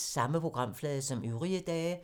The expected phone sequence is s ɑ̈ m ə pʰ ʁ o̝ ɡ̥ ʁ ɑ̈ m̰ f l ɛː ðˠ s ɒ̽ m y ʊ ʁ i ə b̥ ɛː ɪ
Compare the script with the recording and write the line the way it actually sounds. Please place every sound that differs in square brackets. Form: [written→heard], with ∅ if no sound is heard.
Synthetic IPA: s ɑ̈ m ə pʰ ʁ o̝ ɡ̥ ʁ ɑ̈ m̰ f l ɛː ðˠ s ɒ̽ m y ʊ ʁ i ə [b̥→d̥] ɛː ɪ